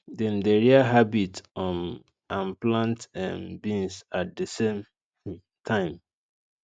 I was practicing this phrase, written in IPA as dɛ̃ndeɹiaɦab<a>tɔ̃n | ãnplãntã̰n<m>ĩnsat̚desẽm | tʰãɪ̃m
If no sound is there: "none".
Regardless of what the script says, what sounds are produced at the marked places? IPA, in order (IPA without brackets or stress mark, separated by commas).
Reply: i, b